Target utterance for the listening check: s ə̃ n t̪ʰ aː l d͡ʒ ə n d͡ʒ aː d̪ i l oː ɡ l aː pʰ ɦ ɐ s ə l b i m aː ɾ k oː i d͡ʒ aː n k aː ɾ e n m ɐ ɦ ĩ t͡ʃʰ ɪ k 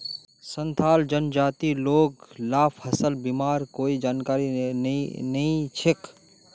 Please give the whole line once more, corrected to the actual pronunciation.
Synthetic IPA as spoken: s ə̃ n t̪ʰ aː l d͡ʒ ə n d͡ʒ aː t̪ i l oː ɡ l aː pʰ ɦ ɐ s ə l b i m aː ɾ k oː i d͡ʒ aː n k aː ɾ i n n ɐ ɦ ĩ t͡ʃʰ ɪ k